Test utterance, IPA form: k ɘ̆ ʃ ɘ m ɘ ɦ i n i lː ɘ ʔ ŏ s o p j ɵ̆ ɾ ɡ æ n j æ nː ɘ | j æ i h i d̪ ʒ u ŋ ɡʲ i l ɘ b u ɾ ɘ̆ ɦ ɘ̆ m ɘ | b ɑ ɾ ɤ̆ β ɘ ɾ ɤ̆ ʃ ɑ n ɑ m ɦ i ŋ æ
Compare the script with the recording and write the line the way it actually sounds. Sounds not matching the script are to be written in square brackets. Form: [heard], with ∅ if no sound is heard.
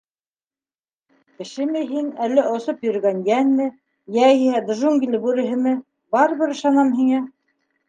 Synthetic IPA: k ɘ̆ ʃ ɘ m ɘ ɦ i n [æ] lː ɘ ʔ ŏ s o p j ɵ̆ ɾ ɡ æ n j æ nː ɘ | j æ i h [æ] d̪ ʒ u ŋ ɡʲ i l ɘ b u ɾ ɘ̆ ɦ ɘ̆ m ɘ | b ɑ ɾ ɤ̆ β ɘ ɾ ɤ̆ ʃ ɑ n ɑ m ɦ i ŋ æ